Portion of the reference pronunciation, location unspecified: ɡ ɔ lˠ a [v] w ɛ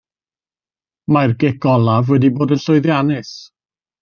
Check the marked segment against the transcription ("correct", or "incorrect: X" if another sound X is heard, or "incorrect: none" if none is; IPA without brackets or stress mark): correct